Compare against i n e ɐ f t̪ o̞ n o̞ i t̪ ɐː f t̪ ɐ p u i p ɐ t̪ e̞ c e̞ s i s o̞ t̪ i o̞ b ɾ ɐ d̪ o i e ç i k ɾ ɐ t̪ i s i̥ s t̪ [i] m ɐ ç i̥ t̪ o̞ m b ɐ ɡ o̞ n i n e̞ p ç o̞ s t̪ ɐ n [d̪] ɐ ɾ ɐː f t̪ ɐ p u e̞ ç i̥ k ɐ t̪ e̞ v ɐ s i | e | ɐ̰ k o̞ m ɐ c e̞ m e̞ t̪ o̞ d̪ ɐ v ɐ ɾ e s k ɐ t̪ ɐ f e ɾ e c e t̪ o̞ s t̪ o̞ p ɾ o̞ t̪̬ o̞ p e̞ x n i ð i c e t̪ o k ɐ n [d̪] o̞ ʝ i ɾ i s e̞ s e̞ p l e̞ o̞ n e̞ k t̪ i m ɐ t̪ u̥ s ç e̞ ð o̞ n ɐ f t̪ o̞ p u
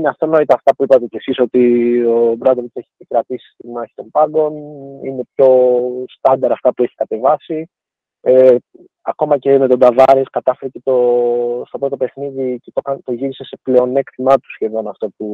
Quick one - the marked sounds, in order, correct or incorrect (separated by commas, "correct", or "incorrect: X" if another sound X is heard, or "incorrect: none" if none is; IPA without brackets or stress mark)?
correct, correct, incorrect: t̪